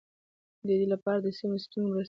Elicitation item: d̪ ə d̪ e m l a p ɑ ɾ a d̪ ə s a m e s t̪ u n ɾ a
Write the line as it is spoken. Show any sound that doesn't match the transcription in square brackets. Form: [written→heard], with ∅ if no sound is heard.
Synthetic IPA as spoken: d̪ ə d̪ e [m→∅] l a p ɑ ɾ a d̪ ə s [a→i] m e s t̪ u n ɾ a